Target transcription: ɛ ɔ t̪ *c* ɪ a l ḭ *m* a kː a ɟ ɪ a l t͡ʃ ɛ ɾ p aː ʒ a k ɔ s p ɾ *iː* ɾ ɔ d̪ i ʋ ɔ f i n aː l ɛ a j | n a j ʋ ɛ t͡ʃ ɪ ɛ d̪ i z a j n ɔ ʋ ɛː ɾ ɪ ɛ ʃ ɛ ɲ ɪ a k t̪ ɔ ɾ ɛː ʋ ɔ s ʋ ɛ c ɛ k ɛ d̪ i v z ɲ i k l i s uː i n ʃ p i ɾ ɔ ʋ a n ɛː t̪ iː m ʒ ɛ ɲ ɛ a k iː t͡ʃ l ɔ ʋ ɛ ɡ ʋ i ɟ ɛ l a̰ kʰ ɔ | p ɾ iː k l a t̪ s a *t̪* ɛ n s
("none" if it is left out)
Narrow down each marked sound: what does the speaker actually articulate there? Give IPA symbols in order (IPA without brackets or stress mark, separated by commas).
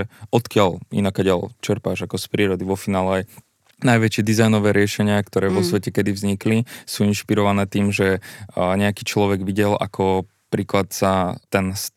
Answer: k, n, iː, t̪